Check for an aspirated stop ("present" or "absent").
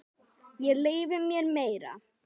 absent